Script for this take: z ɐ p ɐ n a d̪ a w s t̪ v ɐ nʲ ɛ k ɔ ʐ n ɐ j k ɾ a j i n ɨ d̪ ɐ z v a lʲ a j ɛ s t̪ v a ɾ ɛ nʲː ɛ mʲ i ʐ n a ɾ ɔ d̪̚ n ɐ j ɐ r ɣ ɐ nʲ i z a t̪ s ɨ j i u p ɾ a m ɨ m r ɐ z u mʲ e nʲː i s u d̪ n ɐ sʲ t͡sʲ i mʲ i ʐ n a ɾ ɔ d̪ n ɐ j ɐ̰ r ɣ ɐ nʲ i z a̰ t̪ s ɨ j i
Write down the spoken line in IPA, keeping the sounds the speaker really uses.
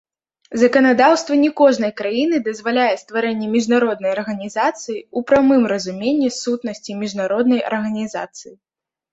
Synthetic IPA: z ɐ k ɐ n a d̪ a w s t̪ v ɐ nʲ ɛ k ɔ ʐ n ɐ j k ɾ a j i n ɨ d̪ ɐ z v a lʲ a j ɛ s t̪ v a ɾ ɛ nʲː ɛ mʲ i ʐ n a ɾ ɔ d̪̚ n ɐ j ɐ r ɣ ɐ nʲ i z a t̪ s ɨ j i u p ɾ a m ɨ m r ɐ z u mʲ e nʲː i s u t̪ n ɐ sʲ t͡sʲ i mʲ i ʐ n a ɾ ɔ d̪ n ɐ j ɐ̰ r ɣ ɐ nʲ i z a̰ t̪ s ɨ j i